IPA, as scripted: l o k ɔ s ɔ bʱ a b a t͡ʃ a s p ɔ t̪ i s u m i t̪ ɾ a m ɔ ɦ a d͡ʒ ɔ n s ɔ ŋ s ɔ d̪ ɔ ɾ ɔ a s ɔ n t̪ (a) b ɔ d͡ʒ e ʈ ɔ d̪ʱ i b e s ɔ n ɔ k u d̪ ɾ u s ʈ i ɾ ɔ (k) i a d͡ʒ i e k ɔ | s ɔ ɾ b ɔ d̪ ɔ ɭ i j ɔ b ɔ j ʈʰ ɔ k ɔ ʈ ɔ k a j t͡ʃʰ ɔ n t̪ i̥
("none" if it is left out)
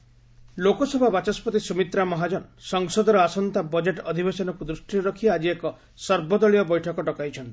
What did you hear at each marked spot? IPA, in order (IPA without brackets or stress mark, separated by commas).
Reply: a, kʰ